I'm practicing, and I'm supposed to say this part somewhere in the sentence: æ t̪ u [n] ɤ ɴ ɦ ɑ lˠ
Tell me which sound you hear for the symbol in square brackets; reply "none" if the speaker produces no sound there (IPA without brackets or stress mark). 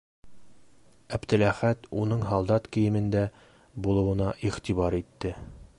n